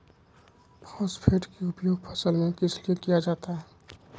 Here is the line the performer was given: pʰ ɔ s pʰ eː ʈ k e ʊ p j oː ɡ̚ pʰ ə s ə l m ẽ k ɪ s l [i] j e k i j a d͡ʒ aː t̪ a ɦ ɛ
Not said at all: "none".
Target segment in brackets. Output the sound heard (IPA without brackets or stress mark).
i